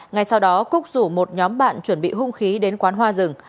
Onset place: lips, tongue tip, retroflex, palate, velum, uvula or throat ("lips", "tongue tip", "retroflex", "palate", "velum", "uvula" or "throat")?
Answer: velum